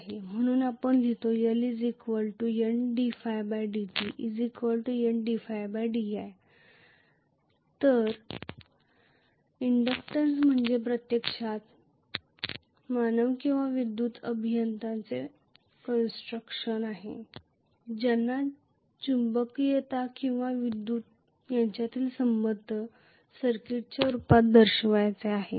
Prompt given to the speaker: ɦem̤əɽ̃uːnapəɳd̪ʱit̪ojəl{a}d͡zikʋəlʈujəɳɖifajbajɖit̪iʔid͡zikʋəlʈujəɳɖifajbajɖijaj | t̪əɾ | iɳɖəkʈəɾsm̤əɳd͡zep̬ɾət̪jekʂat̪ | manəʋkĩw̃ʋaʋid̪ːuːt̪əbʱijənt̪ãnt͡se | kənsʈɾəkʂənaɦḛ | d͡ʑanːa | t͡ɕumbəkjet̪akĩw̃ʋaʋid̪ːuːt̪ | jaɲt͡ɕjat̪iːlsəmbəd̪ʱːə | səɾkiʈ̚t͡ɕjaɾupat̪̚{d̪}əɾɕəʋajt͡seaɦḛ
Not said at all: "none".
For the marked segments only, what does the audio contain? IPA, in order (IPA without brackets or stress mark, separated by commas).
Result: i, d̪